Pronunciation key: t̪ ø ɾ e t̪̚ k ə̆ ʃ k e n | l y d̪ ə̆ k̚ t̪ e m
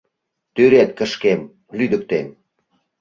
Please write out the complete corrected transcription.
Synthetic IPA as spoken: t̪ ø ɾ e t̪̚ k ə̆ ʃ k e m | l y d̪ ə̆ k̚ t̪ e m